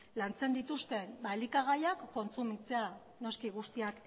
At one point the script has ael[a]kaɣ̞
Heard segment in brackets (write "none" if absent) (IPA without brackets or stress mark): i